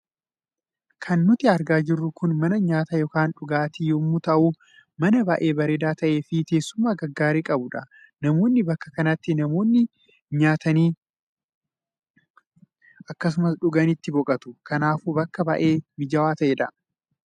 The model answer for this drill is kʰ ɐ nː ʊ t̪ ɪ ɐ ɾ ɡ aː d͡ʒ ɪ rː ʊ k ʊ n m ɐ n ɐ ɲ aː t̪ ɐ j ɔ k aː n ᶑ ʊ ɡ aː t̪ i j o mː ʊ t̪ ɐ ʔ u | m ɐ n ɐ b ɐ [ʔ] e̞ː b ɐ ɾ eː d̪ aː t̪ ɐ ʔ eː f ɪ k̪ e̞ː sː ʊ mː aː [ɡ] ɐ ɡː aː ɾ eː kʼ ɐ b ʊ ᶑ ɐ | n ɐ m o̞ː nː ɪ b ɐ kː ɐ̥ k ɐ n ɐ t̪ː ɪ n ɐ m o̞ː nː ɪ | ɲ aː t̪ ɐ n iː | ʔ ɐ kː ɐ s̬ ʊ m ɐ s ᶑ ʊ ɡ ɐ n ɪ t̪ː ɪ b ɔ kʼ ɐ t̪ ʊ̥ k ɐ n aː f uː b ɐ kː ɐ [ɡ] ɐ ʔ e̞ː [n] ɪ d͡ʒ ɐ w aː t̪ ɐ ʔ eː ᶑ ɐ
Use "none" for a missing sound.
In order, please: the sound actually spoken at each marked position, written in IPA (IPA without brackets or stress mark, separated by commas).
ʔ, ɡ, b, m